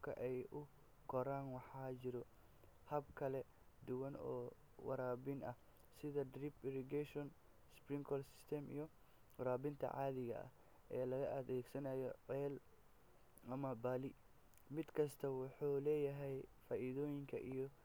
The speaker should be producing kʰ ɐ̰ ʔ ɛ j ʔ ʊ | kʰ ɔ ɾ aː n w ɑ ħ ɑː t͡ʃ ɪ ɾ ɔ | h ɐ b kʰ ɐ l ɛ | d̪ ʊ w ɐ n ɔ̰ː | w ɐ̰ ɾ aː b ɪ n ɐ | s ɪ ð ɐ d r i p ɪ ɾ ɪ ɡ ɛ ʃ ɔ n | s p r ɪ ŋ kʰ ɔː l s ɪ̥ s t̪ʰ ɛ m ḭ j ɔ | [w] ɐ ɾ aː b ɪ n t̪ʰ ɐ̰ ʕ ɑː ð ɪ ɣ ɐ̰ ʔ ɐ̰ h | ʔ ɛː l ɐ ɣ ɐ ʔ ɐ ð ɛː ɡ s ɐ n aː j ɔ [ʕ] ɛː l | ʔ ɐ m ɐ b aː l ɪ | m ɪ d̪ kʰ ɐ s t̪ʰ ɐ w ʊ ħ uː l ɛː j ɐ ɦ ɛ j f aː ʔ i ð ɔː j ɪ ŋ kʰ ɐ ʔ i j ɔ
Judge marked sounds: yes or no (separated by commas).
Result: yes, yes